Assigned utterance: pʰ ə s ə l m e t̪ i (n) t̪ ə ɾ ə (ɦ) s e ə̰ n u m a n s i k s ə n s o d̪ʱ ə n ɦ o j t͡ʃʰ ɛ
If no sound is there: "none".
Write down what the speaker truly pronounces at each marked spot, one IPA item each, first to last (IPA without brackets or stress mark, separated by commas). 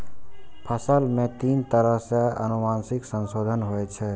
n, ɦ